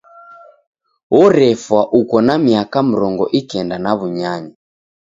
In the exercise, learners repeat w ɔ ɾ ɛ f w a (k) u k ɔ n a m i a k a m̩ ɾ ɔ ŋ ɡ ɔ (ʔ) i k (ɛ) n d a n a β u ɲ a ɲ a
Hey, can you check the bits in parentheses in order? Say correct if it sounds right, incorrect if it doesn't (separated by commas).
incorrect, correct, correct